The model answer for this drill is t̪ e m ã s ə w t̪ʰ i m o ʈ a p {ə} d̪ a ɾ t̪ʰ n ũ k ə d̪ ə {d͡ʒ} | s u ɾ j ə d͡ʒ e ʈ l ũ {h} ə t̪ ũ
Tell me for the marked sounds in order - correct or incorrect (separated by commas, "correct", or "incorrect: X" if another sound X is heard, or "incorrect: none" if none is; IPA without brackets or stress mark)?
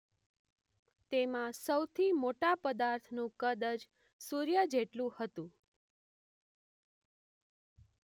correct, correct, correct